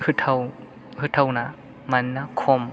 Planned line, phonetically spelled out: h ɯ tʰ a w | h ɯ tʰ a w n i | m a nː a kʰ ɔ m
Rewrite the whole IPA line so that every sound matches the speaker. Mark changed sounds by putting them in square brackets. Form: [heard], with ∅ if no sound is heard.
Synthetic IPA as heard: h ɯ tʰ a w | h ɯ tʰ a w n [a] | m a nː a kʰ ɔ m